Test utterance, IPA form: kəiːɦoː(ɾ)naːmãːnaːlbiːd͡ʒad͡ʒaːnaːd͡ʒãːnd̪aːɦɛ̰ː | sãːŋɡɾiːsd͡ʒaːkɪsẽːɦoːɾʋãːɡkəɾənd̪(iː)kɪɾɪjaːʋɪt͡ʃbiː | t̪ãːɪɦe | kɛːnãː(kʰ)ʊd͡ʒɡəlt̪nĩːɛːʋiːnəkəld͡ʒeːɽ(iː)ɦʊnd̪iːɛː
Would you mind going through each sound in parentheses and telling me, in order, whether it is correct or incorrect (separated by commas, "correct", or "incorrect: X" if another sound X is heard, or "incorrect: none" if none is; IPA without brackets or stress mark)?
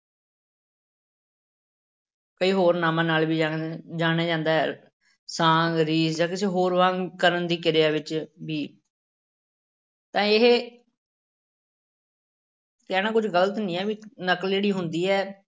correct, correct, incorrect: k, correct